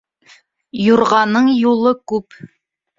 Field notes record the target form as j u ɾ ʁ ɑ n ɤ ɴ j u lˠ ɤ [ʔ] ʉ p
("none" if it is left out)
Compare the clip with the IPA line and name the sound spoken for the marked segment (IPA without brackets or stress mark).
k